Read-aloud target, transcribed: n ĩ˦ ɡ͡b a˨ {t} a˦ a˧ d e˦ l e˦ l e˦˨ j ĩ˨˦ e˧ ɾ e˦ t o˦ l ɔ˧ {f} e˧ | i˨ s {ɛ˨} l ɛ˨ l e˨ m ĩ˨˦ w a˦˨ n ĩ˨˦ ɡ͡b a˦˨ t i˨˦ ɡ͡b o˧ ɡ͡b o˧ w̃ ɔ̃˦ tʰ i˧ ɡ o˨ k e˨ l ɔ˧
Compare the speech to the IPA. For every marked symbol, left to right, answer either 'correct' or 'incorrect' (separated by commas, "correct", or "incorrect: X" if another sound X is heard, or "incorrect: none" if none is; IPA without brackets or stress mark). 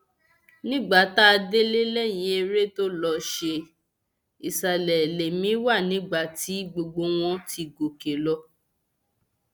correct, incorrect: ʃ, incorrect: a˨